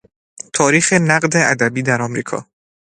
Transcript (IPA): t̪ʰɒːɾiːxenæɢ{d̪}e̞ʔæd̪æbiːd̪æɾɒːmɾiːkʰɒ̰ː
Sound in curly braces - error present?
no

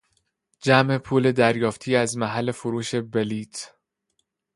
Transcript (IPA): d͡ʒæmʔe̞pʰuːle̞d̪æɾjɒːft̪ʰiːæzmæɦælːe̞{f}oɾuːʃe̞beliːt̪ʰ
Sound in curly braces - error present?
no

